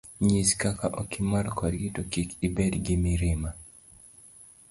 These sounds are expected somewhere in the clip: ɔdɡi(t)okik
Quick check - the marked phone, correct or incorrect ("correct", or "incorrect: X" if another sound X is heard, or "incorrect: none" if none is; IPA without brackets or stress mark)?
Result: correct